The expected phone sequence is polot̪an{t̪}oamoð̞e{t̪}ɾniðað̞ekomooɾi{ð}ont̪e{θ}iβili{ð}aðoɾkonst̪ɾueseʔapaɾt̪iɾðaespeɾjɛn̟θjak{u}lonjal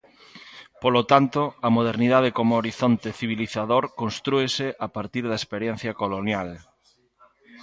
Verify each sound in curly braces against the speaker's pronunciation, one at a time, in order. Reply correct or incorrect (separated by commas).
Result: correct, incorrect, incorrect, correct, incorrect, incorrect